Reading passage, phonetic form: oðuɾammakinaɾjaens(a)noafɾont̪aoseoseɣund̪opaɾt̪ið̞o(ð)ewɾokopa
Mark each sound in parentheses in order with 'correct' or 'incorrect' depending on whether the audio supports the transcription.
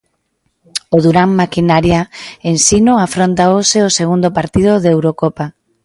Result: incorrect: i, correct

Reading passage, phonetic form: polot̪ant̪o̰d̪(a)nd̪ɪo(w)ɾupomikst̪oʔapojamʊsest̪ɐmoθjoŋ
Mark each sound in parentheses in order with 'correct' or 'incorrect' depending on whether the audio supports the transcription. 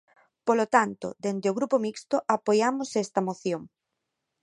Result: incorrect: e, incorrect: ɣ

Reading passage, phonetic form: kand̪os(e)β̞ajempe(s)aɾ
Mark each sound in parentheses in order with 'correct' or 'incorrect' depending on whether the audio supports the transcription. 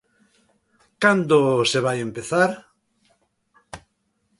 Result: correct, incorrect: θ

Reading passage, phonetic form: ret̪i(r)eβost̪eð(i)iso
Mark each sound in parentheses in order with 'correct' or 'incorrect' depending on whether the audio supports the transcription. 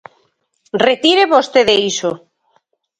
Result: incorrect: ɾ, incorrect: e

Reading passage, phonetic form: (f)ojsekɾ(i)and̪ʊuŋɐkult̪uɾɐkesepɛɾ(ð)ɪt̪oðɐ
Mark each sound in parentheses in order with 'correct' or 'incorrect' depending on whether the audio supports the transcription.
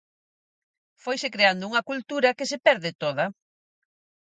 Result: correct, incorrect: e, correct

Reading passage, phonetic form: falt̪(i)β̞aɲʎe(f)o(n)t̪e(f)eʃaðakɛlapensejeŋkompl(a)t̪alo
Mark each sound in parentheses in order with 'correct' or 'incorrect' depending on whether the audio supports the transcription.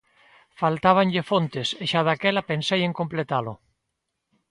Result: incorrect: a, correct, correct, incorrect: s, incorrect: e

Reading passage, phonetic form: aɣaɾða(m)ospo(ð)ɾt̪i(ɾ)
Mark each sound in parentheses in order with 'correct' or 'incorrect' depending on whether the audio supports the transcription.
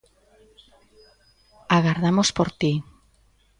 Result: correct, incorrect: none, incorrect: none

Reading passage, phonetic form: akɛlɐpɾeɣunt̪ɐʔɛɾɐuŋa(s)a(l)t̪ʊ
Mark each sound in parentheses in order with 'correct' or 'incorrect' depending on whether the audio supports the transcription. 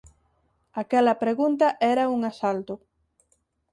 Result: correct, correct

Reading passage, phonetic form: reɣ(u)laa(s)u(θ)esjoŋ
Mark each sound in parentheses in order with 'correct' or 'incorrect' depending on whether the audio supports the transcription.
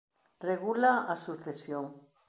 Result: correct, correct, correct

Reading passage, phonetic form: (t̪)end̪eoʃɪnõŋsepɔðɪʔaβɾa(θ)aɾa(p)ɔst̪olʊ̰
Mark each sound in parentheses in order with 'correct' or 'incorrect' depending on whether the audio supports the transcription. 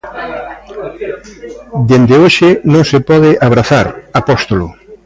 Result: incorrect: d̪, correct, correct

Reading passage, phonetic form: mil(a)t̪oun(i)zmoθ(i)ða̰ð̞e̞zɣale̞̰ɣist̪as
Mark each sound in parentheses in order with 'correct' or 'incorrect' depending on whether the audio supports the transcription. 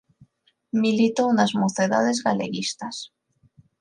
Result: incorrect: i, incorrect: a, incorrect: e

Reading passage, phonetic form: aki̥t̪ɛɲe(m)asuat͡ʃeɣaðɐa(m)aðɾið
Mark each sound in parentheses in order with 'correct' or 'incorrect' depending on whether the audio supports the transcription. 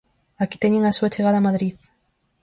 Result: incorrect: ŋ, correct

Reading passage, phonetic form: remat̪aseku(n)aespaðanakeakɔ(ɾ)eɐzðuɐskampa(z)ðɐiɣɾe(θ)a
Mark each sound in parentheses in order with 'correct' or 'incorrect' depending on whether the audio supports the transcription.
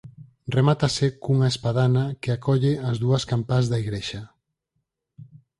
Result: incorrect: ŋ, incorrect: ʎ, correct, incorrect: ʃ

